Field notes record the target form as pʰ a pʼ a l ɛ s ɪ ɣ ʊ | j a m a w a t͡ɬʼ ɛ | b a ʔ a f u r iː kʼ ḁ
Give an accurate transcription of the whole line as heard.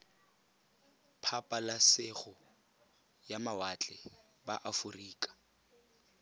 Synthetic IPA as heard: pʰ a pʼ a l a s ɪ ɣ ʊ | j a m a w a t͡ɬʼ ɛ | b a ʔ a f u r iː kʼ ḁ